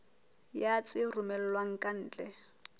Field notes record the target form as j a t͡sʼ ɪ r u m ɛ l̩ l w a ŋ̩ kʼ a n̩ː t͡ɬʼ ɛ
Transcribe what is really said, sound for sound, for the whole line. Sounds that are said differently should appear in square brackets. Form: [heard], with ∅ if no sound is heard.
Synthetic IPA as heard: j a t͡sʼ ɪ r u m ɛ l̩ l w a ŋ̩ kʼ a n̩ː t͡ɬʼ ɛ